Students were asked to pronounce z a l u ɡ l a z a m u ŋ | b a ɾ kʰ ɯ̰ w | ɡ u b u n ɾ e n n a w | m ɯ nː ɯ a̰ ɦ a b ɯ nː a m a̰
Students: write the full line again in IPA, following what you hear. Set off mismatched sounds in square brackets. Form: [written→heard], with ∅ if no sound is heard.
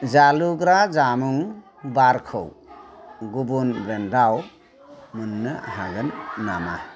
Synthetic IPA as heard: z a l u ɡ [l→ɾ] a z a m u ŋ | b a ɾ kʰ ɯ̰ w | ɡ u b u n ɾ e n [n→d] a w | m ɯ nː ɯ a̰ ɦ a [b→ɡ] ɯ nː a m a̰